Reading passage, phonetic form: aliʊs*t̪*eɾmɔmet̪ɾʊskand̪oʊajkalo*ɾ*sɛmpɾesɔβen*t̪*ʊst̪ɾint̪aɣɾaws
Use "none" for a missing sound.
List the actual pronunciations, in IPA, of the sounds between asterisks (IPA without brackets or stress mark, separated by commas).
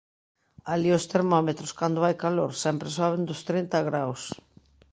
t̪, ɾ, d̪